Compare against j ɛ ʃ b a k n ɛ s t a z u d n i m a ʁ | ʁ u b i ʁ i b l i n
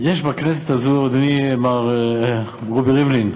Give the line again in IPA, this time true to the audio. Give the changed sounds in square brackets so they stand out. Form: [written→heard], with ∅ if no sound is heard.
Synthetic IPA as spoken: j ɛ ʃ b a k n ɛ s t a z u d n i m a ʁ | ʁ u b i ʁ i [b→v] l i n